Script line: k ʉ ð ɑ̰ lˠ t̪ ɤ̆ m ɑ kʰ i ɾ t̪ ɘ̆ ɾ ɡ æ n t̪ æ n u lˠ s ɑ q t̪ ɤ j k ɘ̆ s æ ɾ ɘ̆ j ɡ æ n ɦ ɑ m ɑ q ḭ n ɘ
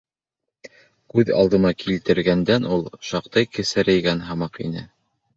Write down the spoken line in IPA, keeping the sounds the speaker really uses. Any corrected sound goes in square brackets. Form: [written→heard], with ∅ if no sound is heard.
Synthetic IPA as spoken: k ʉ ð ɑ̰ lˠ [t̪→d̪] ɤ̆ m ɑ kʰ i [ɾ→l] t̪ ɘ̆ ɾ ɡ æ n [t̪→d̪] æ n u lˠ [s→ʃ] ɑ q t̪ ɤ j k ɘ̆ s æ ɾ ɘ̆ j ɡ æ n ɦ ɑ m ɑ q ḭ n ɘ